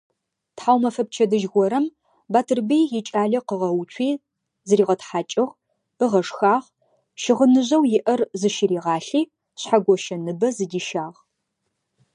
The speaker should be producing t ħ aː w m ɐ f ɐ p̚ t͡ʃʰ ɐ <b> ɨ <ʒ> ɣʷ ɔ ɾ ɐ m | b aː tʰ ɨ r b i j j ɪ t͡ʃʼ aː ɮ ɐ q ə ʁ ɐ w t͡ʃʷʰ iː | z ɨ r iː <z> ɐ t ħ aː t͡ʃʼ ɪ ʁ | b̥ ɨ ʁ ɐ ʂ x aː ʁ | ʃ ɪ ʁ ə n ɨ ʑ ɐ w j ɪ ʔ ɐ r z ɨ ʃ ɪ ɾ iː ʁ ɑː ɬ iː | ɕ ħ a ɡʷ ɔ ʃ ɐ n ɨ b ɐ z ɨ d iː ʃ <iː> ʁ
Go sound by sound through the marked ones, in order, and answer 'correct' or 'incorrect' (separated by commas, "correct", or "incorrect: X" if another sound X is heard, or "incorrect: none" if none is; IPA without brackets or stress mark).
incorrect: d, correct, incorrect: ʁ, incorrect: aː